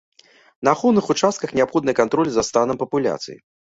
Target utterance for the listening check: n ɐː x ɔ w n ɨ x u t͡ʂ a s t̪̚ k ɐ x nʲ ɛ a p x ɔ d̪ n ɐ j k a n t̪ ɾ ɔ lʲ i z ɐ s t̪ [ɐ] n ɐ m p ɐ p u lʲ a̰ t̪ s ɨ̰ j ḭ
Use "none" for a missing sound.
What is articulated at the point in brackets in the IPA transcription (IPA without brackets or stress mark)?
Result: a